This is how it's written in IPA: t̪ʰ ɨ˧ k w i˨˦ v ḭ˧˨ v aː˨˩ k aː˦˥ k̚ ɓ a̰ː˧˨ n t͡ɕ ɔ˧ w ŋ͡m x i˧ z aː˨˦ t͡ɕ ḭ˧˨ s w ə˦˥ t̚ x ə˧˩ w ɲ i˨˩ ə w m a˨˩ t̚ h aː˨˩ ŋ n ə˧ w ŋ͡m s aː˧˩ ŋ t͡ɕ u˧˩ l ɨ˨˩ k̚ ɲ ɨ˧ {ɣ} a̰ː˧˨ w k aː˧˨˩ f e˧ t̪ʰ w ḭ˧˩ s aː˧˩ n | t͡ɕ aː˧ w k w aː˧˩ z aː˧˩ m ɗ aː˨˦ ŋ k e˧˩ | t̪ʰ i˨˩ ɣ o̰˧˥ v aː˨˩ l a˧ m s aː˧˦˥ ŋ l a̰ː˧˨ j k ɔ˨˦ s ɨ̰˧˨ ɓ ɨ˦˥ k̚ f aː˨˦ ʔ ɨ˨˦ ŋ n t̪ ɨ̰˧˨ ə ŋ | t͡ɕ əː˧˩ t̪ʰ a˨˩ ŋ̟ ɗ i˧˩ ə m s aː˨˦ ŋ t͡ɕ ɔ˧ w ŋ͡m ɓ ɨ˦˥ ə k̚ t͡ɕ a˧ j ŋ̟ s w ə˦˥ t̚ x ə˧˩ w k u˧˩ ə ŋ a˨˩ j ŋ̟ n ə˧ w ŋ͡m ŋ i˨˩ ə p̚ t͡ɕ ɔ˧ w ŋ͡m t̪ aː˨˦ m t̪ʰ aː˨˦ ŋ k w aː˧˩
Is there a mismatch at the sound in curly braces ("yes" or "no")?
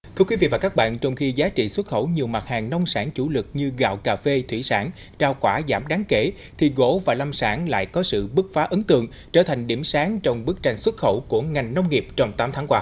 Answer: no